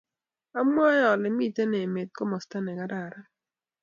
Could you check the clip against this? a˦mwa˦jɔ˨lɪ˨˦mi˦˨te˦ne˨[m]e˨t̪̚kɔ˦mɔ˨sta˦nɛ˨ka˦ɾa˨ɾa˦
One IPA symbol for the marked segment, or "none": m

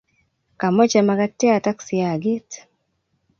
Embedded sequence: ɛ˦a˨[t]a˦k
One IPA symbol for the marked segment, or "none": t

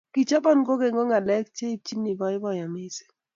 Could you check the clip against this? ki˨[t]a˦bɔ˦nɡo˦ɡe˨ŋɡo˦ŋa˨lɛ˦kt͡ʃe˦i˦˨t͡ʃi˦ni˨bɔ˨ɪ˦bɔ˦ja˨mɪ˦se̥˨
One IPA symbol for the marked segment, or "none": t͡ʃ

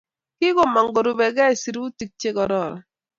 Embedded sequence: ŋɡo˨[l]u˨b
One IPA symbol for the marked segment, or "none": ɾ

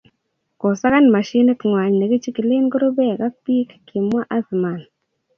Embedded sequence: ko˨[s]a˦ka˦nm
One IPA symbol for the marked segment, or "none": s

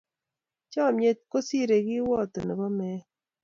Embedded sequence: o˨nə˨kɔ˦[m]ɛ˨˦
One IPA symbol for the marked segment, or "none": m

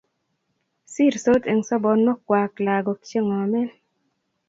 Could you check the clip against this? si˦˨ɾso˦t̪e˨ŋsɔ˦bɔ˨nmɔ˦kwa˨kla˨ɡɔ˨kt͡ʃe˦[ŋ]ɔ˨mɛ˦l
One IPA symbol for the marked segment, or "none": ŋ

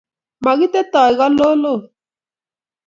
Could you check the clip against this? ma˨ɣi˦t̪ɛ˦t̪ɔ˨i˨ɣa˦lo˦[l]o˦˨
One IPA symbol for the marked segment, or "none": l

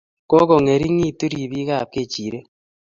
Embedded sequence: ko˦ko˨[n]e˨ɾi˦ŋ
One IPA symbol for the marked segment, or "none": ŋ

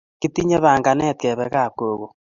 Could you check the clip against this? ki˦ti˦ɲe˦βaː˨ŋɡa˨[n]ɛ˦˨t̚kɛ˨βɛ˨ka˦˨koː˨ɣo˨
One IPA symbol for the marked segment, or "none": n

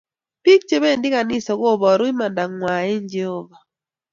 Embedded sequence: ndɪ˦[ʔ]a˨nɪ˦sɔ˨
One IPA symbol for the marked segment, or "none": k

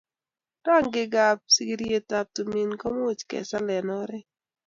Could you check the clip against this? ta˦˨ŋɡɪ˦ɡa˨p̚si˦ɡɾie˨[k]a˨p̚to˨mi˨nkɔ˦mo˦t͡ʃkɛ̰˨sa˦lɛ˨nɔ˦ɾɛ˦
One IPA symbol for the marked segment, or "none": t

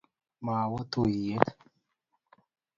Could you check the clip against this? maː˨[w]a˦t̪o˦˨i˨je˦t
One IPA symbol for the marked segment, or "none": w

